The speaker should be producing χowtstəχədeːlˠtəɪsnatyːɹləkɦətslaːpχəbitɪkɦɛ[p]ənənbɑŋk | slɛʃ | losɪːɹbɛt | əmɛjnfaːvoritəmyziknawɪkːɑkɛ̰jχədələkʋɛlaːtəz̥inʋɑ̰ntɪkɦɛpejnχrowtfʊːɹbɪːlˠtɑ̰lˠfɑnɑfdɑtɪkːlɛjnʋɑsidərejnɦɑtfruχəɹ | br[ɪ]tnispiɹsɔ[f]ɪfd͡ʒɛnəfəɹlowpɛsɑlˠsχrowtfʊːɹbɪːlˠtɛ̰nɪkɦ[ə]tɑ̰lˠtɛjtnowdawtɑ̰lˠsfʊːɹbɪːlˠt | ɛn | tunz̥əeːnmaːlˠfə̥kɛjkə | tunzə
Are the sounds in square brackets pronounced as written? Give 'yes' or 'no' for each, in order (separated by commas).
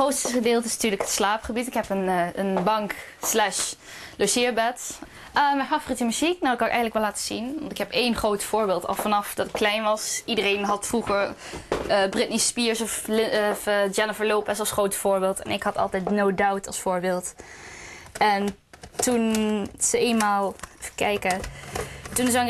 yes, yes, yes, no